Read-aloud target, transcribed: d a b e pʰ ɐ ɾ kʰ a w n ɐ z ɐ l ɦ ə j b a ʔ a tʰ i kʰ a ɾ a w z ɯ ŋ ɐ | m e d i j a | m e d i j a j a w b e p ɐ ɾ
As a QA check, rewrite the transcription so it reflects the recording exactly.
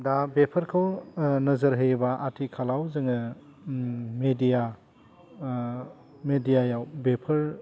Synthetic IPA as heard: d a b e pʰ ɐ ɾ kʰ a w n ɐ z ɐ ɾ ɦ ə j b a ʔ a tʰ i kʰ a l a w z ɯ ŋ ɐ | m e d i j a | m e d i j a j a w b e pʰ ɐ ɾ